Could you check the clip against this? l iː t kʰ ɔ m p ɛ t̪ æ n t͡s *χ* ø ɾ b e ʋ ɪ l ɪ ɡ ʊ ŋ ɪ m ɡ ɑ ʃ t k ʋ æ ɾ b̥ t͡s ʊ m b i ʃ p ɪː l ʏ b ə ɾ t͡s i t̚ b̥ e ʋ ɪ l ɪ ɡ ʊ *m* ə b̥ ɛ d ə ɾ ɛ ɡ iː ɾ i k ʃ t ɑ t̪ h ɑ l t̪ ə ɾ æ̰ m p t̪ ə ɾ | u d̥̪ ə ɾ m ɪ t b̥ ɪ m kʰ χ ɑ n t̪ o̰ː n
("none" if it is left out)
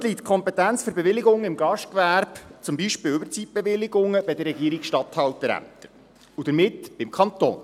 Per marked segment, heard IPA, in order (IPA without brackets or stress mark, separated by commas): f, ŋ